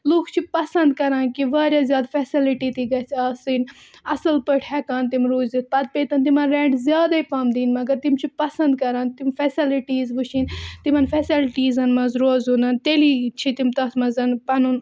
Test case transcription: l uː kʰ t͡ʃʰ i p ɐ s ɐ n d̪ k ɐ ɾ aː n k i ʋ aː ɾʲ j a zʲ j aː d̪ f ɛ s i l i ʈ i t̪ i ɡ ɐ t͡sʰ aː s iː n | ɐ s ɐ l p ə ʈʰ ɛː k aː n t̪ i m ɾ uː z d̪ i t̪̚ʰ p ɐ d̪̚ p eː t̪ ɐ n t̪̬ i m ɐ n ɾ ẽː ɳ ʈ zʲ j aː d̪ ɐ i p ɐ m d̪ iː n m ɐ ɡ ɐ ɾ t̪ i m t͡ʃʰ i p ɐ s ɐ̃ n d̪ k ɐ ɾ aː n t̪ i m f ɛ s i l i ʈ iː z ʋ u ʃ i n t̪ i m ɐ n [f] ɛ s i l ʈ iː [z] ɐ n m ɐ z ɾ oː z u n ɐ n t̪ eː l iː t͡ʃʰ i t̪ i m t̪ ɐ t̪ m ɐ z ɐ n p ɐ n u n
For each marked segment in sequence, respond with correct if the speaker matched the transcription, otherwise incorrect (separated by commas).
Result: correct, correct